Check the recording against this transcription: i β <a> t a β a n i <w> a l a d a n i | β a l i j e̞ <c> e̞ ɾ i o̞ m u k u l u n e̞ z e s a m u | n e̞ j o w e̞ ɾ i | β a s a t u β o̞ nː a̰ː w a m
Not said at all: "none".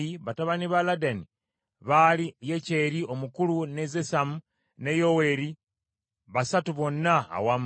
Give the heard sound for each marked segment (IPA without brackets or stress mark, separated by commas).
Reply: a, β, c